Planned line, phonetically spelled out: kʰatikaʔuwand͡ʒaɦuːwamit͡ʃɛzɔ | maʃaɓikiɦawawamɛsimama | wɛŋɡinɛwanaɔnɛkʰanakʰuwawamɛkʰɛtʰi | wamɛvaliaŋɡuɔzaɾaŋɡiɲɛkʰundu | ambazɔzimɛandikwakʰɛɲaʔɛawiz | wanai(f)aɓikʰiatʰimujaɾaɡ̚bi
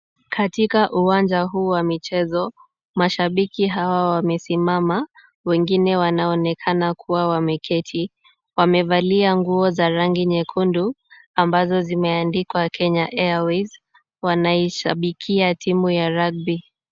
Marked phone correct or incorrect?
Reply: incorrect